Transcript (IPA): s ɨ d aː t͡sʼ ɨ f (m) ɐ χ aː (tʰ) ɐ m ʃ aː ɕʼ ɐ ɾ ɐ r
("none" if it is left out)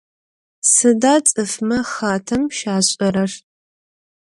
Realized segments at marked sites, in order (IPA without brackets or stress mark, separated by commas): m, tʰ